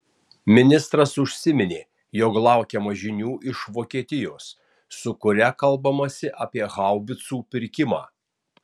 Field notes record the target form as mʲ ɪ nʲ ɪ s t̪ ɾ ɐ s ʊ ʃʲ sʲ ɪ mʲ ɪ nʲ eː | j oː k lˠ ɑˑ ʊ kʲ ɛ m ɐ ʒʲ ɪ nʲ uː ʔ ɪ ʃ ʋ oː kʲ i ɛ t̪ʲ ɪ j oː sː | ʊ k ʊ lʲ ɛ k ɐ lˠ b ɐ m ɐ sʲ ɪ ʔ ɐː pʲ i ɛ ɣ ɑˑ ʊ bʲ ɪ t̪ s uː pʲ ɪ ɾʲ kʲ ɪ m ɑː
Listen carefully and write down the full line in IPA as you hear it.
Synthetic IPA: mʲ ɪ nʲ ɪ s t̪ ɾ ɐ s ʊ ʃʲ sʲ ɪ mʲ ɪ nʲ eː | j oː k lˠ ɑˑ ʊ kʲ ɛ m ɐ ʒʲ ɪ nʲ uː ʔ ɪ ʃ ʋ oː kʲ i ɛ t̪ʲ ɪ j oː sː | ʊ k ʊ ɾʲ ɛ k ɐ lˠ b ɐ m ɐ sʲ ɪ ʔ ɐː pʲ i ɛ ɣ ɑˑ ʊ bʲ ɪ t̪ s uː pʲ ɪ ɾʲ kʲ ɪ m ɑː